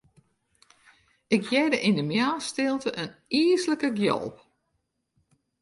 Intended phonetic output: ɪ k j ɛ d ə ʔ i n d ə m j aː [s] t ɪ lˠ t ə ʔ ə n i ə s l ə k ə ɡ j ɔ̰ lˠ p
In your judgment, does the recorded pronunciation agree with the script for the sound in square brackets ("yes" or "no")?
yes